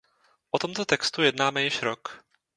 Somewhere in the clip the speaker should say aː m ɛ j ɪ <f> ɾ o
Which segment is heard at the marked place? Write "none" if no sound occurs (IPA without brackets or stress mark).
ʃ